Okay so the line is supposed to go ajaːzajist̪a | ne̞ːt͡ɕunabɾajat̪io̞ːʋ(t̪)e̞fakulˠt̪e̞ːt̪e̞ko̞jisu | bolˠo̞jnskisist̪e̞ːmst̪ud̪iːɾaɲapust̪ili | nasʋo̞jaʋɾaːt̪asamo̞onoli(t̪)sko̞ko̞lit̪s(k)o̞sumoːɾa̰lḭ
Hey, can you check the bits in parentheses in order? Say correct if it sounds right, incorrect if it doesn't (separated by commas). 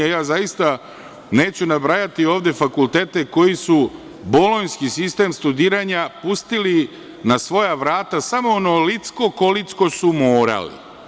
incorrect, correct, correct